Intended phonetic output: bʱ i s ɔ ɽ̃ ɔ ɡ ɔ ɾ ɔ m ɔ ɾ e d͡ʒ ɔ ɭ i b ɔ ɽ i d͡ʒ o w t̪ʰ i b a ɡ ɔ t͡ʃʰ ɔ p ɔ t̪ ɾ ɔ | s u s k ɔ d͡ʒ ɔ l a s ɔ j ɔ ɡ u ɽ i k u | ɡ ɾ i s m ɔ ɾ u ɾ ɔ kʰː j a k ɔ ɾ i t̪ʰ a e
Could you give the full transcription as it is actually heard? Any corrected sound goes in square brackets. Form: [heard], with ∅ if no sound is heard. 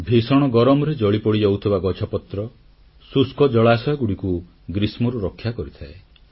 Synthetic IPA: bʱ i s ɔ ɽ̃ ɔ ɡ ɔ ɾ ɔ m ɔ ɾ e d͡ʒ ɔ ɭ i [p] ɔ ɽ i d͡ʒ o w t̪ʰ i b a ɡ ɔ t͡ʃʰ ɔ p ɔ t̪ ɾ ɔ | s u s k ɔ d͡ʒ ɔ [ɭ] a s ɔ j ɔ ɡ u ɽ i k u | ɡ ɾ i s m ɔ ɾ u ɾ ɔ kʰː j a k ɔ ɾ i t̪ʰ a e